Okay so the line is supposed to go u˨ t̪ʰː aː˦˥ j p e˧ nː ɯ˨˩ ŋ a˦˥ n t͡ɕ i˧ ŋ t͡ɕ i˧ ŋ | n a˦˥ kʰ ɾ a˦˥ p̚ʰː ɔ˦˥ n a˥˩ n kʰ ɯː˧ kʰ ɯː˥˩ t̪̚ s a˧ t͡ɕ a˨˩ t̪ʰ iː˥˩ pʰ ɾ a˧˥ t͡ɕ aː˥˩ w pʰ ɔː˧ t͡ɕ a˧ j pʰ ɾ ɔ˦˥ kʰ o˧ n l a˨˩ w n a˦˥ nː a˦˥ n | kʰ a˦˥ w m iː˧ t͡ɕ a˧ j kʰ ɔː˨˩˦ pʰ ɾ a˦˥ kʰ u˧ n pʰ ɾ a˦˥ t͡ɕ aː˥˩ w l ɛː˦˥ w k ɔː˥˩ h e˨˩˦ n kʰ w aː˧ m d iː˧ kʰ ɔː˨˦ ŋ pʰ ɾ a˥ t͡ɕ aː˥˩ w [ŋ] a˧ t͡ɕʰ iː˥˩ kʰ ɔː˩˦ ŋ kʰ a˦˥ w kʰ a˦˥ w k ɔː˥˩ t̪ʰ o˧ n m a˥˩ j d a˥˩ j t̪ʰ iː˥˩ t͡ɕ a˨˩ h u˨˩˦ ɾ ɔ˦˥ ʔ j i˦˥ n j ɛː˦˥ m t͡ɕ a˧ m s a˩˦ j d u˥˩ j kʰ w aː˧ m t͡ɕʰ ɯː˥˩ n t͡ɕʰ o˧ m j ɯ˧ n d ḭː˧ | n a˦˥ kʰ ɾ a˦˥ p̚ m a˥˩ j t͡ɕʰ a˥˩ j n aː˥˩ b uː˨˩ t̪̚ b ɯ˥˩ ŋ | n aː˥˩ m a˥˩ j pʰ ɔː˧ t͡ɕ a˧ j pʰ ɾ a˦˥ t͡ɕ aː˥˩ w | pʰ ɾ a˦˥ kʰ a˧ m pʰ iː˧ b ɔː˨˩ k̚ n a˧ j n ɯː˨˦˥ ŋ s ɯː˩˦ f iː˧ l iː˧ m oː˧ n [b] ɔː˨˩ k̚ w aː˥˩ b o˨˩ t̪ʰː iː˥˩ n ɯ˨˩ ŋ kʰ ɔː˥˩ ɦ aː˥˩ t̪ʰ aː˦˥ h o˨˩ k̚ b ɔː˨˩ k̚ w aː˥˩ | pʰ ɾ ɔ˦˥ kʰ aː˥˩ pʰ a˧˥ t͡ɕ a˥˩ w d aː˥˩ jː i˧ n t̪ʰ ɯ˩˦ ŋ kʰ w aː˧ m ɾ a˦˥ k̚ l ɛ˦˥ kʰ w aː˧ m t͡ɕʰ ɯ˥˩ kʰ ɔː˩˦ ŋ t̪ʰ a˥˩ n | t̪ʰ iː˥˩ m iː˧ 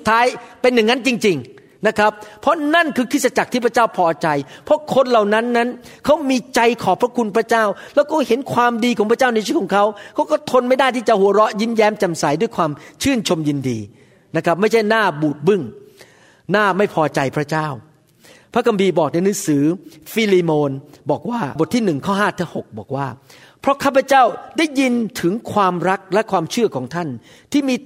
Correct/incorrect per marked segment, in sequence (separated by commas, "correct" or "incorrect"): incorrect, correct